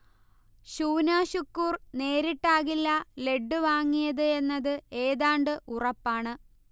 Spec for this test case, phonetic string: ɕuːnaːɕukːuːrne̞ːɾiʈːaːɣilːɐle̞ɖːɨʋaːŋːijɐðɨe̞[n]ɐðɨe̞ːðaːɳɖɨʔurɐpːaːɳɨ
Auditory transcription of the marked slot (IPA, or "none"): nː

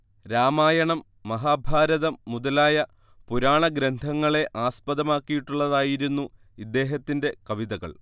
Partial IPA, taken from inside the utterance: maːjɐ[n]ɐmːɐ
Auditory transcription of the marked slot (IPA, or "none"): ɳ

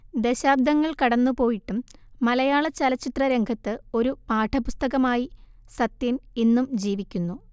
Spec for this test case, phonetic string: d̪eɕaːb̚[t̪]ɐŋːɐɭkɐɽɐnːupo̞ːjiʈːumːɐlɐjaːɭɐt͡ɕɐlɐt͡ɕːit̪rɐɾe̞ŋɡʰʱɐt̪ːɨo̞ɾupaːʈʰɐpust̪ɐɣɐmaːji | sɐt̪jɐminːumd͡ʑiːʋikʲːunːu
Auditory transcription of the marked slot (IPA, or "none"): d̪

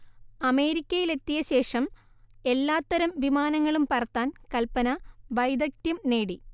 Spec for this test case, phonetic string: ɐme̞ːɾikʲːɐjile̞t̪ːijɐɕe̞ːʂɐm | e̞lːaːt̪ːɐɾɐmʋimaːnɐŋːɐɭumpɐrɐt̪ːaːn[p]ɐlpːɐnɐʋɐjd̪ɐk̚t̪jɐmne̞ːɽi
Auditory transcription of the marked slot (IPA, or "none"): k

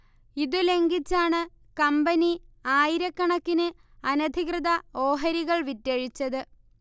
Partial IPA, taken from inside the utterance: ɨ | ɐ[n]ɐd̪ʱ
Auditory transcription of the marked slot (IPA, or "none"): n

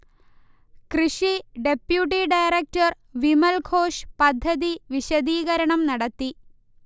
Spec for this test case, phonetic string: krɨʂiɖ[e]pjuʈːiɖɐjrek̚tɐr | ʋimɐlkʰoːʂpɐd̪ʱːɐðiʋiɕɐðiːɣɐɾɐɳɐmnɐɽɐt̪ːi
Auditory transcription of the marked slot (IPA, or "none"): e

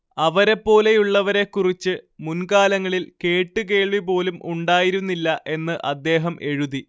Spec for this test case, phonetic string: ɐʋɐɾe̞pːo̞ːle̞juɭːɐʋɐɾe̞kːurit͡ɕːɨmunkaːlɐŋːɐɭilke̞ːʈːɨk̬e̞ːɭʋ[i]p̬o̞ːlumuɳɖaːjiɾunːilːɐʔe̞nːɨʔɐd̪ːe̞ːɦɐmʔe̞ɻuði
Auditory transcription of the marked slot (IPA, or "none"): i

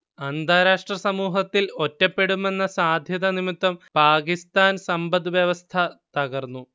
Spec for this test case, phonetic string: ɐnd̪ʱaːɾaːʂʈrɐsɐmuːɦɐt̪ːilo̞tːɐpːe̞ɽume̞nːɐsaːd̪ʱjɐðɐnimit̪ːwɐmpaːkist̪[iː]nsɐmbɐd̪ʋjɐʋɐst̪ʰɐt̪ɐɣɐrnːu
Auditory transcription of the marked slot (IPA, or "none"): aː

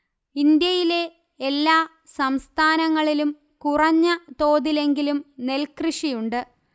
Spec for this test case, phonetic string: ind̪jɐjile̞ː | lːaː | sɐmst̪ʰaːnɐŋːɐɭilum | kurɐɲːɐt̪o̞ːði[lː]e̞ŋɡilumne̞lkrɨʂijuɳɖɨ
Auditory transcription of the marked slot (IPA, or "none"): l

